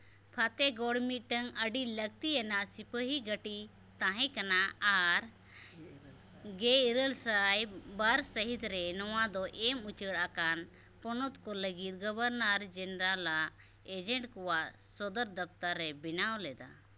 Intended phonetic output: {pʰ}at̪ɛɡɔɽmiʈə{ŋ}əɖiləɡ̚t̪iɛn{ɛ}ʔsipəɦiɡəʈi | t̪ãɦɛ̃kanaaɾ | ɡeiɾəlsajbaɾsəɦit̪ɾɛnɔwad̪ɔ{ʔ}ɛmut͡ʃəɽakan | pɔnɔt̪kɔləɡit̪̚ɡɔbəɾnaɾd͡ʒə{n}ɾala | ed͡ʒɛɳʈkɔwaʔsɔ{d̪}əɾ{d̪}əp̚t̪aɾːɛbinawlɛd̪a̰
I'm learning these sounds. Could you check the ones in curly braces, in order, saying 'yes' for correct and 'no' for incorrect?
yes, yes, no, yes, yes, yes, yes

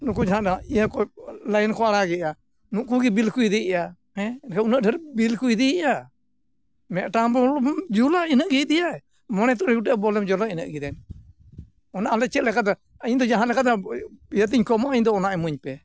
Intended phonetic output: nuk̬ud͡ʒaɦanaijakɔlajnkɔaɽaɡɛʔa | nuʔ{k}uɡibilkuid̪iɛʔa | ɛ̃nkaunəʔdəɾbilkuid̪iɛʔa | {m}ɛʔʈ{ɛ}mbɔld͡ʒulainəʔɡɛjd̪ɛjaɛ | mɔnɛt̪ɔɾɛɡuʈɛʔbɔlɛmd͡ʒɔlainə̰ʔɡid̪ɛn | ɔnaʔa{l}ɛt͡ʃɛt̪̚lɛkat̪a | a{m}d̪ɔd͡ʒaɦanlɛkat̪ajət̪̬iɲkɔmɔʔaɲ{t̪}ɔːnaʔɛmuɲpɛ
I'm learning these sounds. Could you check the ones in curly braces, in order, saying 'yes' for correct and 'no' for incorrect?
yes, yes, no, yes, no, no

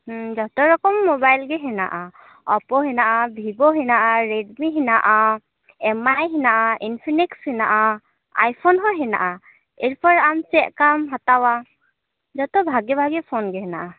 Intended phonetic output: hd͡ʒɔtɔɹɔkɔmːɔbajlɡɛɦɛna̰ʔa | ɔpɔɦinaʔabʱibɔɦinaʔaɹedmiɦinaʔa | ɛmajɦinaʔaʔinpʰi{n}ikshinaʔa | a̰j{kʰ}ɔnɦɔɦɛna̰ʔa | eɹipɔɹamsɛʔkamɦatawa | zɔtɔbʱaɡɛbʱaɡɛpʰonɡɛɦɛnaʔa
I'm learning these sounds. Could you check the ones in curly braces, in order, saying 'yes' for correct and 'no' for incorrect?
yes, no

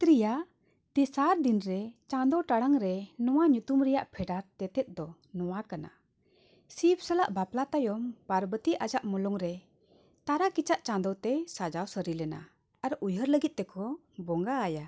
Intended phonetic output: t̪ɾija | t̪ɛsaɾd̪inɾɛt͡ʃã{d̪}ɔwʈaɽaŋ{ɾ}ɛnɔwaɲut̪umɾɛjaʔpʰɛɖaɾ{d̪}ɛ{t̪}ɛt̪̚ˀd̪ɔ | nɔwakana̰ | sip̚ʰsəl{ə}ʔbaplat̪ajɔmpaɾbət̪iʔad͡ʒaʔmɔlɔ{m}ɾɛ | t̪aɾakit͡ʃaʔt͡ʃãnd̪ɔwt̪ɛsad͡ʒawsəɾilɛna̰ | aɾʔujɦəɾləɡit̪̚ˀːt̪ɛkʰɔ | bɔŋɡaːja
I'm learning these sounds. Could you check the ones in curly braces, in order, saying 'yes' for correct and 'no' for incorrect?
yes, yes, no, yes, no, no

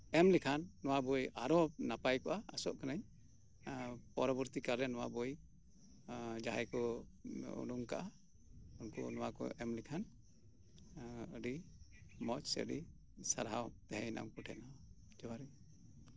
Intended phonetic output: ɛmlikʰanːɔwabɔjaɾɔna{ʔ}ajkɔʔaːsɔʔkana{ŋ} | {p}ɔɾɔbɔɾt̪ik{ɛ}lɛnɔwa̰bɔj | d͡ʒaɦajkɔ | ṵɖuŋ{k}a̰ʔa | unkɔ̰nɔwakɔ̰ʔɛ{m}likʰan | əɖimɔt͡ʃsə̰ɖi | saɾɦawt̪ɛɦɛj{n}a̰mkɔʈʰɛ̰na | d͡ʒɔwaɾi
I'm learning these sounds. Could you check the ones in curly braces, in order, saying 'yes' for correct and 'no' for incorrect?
no, no, yes, no, yes, yes, yes

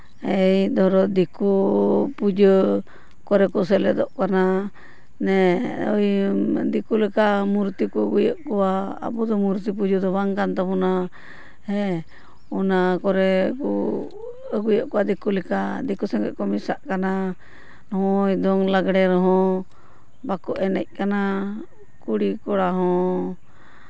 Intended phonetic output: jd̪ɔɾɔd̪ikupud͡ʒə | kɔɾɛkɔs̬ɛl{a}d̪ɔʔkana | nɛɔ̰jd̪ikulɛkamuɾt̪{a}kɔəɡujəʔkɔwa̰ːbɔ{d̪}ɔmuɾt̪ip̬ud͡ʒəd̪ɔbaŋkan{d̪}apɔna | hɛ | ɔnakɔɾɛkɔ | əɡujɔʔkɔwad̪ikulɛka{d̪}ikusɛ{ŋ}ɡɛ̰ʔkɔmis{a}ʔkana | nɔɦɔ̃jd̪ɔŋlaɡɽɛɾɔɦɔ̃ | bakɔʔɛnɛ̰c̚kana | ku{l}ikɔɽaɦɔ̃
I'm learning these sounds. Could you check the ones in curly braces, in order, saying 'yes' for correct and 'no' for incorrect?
no, no, yes, no, yes, yes, yes, no

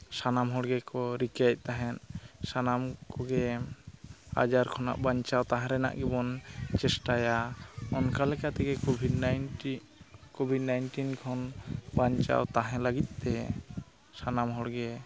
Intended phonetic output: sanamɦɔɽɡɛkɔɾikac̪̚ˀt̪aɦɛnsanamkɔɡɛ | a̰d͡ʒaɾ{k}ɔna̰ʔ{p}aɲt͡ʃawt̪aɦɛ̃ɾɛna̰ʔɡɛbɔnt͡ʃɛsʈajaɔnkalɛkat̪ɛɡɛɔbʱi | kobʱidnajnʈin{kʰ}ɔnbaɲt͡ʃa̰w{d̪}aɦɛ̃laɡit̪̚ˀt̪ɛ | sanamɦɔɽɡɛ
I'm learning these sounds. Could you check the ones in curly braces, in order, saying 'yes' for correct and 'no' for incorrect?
no, no, yes, no

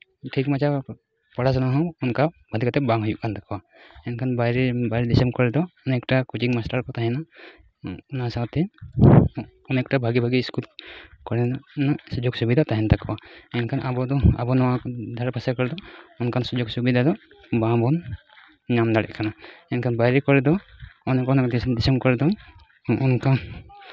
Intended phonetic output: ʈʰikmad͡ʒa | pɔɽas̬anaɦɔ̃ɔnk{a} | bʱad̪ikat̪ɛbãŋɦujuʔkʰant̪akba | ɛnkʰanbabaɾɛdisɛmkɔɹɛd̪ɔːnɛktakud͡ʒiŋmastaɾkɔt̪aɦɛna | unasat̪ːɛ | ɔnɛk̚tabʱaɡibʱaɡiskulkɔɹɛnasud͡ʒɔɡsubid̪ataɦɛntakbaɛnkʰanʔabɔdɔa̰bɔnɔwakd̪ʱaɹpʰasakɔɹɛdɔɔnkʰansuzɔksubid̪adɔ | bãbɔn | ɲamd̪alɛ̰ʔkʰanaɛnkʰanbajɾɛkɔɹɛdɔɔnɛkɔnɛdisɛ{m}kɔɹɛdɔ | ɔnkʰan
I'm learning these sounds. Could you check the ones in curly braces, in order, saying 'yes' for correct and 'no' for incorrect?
yes, yes

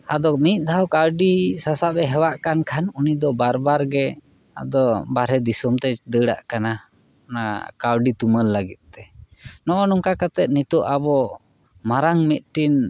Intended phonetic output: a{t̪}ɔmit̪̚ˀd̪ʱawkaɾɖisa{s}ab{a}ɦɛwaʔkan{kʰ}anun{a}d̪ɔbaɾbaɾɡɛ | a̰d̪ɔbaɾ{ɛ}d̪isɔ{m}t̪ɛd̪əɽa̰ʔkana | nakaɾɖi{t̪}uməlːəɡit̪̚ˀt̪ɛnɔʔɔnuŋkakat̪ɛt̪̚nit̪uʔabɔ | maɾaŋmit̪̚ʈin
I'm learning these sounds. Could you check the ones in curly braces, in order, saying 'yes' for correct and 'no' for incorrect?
no, yes, no, yes, no, yes, yes, yes

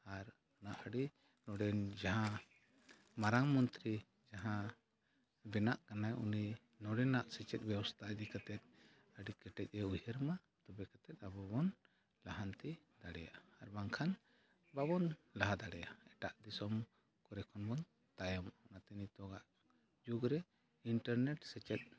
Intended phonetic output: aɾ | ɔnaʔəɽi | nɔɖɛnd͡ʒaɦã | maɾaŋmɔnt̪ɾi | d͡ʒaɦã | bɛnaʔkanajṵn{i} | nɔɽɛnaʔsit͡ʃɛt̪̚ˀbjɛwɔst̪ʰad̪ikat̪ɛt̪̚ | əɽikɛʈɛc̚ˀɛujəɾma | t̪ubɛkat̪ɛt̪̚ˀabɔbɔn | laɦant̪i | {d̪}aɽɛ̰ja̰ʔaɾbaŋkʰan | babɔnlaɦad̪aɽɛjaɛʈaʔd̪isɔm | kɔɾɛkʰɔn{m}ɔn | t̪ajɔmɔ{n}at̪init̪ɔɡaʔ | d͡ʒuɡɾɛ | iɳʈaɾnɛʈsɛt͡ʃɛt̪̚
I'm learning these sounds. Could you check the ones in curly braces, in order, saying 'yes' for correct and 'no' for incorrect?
yes, yes, no, yes

